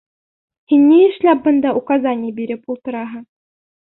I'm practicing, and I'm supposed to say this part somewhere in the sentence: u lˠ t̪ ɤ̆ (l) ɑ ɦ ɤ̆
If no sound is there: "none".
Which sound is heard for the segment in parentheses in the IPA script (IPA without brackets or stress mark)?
ɾ